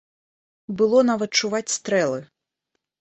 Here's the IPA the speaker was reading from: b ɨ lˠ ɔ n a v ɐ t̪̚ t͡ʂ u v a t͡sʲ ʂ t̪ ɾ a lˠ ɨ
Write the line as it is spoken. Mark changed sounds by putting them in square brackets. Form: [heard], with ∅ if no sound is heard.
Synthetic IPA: b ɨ lˠ ɔ n a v ɐ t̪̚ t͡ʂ u v a t͡sʲ [s] t̪ ɾ [ɛ] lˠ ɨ